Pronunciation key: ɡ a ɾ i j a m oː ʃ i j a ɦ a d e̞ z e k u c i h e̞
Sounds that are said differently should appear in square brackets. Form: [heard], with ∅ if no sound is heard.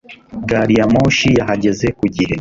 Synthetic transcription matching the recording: ɡ a ɾ i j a m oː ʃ i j a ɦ a [ɟ] e̞ z e k u [ɟ] i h e̞